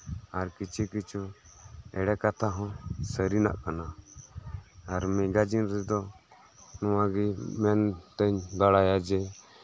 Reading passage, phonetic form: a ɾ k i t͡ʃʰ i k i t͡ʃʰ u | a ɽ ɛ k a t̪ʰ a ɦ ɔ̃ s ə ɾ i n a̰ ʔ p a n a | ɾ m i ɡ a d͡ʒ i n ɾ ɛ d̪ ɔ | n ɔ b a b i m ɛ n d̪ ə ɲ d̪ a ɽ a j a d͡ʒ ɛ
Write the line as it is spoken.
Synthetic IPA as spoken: a ɾ k i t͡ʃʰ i k i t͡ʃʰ u | ɛ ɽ ɛ k a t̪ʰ a ɦ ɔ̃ s ə ɾ i n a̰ ʔ k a n a | ɾ m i ɡ a d͡ʒ i n ɾ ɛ d̪ ɔ | n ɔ w a ɡ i m ɛ n t̪ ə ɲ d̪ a ɽ a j a d͡ʒ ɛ